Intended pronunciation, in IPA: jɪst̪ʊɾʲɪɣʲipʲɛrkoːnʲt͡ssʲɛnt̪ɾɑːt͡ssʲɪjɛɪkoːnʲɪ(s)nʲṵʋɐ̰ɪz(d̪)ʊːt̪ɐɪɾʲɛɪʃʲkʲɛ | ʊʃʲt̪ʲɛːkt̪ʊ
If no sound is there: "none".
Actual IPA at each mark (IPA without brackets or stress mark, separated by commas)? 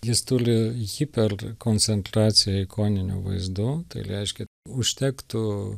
none, d̪